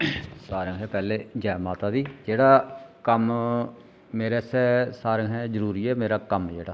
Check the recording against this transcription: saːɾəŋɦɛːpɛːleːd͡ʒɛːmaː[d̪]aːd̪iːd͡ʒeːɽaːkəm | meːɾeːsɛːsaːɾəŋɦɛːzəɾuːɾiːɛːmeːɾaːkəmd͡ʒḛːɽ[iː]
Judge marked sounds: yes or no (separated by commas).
no, no